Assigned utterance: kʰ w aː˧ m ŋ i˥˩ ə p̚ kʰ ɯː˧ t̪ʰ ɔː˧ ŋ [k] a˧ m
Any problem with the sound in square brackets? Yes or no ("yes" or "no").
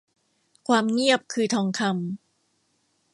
yes